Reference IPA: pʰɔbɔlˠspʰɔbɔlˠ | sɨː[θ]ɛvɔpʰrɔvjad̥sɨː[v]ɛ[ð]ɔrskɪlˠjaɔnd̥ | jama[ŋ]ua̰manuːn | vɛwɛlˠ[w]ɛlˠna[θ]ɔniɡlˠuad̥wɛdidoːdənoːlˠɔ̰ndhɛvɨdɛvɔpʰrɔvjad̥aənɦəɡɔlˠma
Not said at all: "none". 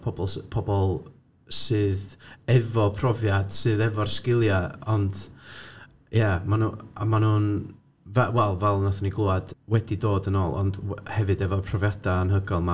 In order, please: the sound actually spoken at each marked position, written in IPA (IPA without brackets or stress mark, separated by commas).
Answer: ð, ð, v, n, v, θ